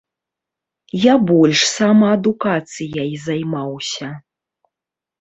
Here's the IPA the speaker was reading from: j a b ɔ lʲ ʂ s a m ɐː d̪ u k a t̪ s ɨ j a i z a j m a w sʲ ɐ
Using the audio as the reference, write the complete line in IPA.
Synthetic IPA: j a b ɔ lʲ ʂ s a m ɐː d̪ u k a t̪ s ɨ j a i z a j m a w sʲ ɐ